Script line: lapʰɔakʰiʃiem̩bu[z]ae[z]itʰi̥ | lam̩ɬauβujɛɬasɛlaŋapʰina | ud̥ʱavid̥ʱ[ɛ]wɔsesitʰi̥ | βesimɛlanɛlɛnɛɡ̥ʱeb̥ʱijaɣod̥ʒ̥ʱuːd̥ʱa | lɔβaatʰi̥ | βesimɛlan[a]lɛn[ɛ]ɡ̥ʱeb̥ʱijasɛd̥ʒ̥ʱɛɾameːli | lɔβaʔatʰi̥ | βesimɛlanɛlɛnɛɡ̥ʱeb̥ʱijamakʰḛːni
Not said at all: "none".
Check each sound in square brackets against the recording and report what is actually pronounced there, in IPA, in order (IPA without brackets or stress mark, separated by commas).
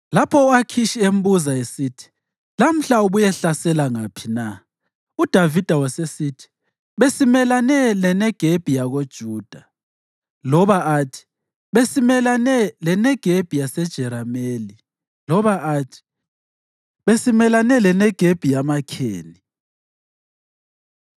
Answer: z, s, a, ɛ, ɛ